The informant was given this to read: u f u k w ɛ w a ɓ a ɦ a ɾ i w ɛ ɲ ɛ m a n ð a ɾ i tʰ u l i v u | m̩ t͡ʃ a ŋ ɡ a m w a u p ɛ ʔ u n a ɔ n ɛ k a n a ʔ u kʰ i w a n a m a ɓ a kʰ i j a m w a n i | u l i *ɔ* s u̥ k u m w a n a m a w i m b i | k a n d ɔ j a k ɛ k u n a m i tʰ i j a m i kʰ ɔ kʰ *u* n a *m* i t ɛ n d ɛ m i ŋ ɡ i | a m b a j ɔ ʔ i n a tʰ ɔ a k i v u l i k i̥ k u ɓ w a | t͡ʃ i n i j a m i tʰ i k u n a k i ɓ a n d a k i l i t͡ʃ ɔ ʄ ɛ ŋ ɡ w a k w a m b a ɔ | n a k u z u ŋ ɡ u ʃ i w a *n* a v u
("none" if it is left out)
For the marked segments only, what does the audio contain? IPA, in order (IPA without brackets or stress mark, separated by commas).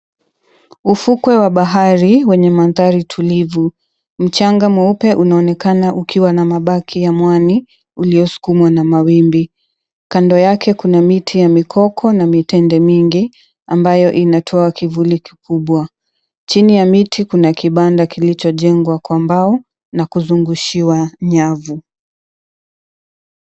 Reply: ɔ, ɔ, m, ɲ